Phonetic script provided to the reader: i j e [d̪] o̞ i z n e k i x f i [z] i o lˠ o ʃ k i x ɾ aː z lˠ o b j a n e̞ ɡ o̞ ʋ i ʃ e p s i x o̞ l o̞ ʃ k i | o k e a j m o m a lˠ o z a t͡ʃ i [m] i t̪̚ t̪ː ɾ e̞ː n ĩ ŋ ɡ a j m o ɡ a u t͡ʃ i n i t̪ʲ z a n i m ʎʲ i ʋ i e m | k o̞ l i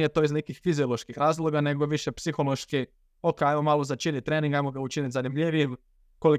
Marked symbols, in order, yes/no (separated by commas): no, yes, no